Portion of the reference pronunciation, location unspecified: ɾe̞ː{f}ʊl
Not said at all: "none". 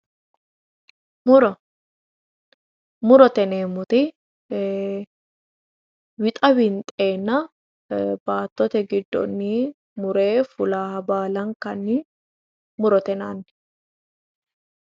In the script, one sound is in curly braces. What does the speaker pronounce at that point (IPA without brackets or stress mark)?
f